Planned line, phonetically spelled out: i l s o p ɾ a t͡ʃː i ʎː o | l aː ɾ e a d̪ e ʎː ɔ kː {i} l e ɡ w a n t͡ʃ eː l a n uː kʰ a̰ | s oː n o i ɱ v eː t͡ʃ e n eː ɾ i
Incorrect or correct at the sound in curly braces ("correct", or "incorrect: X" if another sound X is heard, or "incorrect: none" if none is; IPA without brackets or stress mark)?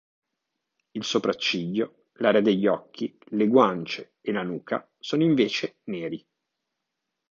correct